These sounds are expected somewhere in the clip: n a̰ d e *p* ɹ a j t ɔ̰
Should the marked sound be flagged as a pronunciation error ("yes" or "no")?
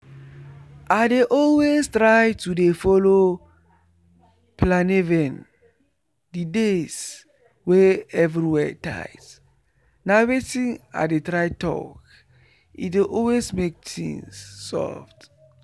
yes